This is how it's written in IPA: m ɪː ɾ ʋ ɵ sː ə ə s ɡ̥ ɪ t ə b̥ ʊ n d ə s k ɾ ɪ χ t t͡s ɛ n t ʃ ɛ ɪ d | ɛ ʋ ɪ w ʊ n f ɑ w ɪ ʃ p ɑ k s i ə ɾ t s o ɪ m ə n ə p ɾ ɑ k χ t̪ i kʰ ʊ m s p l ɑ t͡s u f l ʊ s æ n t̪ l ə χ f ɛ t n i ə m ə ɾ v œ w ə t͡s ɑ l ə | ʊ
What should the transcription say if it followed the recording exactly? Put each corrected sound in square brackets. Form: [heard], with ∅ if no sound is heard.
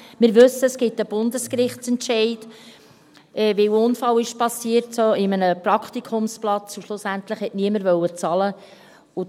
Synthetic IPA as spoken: m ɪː ɾ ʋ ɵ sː ə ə s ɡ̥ ɪ t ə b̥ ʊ n d ə s k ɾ ɪ χ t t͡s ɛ n t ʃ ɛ ɪ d | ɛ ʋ ɪ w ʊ n f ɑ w ɪ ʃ p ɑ [∅] s i ə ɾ t s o ɪ m ə n ə p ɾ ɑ k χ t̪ i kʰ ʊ m s p l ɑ t͡s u [ʃ] l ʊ s æ n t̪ l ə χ [h] ɛ t n i ə m ə ɾ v œ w ə t͡s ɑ l ə | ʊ